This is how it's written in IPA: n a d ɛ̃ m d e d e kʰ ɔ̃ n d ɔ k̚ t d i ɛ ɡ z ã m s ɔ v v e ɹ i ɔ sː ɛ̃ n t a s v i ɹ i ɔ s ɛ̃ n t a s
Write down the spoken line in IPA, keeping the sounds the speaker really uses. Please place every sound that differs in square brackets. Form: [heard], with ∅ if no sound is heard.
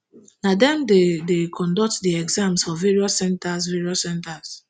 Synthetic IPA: n a d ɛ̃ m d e d e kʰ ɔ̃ n d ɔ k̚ t d i ɛ ɡ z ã m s ɔ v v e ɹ i ɔ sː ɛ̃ n t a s v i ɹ i ɔ s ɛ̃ n t a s